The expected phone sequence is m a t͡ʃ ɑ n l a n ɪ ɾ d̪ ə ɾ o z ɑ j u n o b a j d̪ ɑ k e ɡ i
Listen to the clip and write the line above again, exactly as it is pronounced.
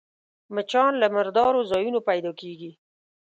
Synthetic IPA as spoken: m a t͡ʃ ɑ n l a m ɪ ɾ d̪ ɑ ɾ o z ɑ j u n o p a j d̪ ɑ k e ɡ i